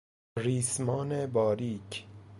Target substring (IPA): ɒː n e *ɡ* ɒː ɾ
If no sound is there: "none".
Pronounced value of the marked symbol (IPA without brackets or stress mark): b